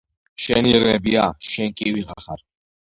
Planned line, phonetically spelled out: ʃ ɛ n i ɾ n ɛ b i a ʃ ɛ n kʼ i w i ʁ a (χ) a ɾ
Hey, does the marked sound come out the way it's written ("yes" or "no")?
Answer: yes